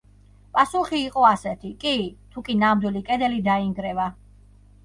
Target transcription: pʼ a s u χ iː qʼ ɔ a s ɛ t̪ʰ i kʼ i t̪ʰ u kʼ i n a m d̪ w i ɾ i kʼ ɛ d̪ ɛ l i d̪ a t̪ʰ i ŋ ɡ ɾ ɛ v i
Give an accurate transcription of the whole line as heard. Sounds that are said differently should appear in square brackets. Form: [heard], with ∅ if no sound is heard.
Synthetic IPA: pʼ a s u χ iː qʼ ɔ a s ɛ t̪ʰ i kʼ i t̪ʰ u kʼ i n a m d̪ w i [l] i kʼ ɛ d̪ ɛ l i d̪ a [∅] i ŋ ɡ ɾ ɛ v [a]

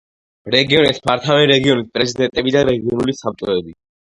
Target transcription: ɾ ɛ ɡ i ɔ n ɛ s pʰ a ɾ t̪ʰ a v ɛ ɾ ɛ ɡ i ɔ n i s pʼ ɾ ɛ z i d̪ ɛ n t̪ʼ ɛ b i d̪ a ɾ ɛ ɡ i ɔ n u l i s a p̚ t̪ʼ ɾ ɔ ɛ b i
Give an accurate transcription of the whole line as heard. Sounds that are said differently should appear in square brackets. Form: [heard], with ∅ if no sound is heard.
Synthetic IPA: ɾ ɛ ɡ i ɔ n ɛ s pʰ a ɾ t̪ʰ a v ɛ ɾ ɛ ɡ i ɔ n i s pʼ ɾ ɛ z i d̪ ɛ n t̪ʼ ɛ b i d̪ a ɾ ɛ ɡ i ɔ n u l i s a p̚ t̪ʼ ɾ ɔ ɛ b i

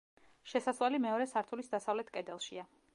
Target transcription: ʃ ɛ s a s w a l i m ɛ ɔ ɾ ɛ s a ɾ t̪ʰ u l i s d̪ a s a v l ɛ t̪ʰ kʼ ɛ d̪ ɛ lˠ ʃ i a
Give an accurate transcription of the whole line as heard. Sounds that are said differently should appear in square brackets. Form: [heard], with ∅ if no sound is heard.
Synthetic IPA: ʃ ɛ s a s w a l i m ɛ ɔ ɾ ɛ s a ɾ t̪ʰ u l i s d̪ a s a v l ɛ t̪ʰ kʼ ɛ d̪ ɛ lˠ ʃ i a

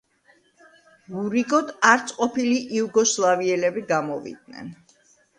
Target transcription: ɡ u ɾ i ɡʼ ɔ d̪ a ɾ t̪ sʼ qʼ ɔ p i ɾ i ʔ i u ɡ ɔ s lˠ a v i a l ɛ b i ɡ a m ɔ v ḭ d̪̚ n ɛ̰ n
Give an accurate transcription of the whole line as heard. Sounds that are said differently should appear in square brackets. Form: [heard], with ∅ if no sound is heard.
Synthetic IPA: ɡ u ɾ i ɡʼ ɔ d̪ a ɾ t̪ sʼ qʼ ɔ p i [l] i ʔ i u ɡ ɔ s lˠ a v i [ɛ] l ɛ b i ɡ a m ɔ v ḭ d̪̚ n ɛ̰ n

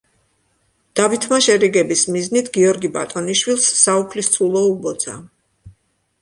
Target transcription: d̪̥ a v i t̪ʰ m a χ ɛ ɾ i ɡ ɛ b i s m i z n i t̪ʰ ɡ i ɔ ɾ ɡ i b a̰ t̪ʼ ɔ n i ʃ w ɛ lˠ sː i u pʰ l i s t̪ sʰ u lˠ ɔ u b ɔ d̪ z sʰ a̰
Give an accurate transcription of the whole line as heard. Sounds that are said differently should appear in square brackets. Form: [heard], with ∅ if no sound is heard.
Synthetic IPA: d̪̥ a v i t̪ʰ m a [ʃ] ɛ ɾ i ɡ ɛ b i s m i z n i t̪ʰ ɡ i ɔ ɾ ɡ i b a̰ t̪ʼ ɔ n i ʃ w [i] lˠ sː [a] u pʰ l i s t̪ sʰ u lˠ ɔ u b ɔ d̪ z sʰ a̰

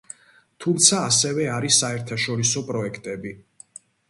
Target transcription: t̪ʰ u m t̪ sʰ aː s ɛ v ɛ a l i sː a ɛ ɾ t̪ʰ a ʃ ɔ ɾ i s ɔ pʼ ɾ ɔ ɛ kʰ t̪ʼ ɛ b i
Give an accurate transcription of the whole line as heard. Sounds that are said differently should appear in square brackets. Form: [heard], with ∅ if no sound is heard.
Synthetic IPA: t̪ʰ u m t̪ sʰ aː s ɛ v ɛ a [ɾ] i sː a ɛ ɾ t̪ʰ a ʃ ɔ ɾ i s ɔ pʼ ɾ ɔ ɛ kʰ t̪ʼ ɛ b i

